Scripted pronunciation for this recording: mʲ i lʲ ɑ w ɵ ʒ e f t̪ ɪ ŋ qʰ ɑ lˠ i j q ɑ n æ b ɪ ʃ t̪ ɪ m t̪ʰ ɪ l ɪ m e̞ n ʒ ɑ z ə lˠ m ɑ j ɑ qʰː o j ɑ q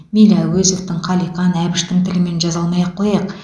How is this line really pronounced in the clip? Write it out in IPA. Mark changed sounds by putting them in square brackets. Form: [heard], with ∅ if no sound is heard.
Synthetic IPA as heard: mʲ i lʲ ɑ w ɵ [z] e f t̪ ɪ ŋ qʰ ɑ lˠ i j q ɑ n æ b ɪ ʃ t̪ ɪ [ŋ] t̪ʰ ɪ l ɪ m e̞ n ʒ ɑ z [ɑ] lˠ m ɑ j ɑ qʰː o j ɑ q